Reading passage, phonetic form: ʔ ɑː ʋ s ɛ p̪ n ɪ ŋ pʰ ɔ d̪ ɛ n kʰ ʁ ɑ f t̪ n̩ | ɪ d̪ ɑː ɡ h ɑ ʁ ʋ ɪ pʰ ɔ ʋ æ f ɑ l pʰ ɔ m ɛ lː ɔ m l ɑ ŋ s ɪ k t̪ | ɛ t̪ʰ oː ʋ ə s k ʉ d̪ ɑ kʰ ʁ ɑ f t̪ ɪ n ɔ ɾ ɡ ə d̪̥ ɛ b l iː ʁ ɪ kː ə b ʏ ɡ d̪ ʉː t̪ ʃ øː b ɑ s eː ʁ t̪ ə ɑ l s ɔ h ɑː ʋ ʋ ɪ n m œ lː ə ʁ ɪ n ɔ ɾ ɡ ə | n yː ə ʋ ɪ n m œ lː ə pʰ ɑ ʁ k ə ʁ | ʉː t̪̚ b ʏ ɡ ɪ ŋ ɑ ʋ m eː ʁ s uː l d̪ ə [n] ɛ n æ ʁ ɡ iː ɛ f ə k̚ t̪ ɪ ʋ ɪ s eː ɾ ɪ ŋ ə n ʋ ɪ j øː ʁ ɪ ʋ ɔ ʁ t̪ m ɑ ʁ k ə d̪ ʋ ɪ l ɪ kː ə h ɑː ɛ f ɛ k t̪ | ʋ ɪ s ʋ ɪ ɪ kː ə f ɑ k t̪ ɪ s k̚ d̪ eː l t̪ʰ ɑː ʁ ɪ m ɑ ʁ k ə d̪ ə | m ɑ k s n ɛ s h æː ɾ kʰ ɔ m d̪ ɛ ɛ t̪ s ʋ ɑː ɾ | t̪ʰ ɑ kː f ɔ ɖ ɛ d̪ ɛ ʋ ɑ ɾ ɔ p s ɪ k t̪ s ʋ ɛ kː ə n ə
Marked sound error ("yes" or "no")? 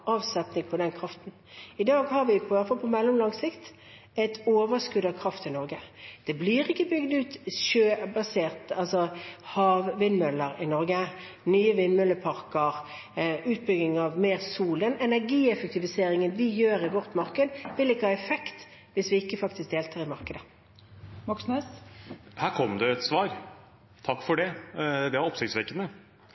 no